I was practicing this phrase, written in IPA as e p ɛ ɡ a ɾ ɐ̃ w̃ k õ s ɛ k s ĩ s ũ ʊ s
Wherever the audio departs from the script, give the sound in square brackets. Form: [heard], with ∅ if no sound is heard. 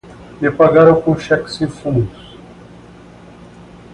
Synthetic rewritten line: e p [a] ɡ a ɾ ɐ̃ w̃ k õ [ʃ] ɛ k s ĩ [f] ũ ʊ s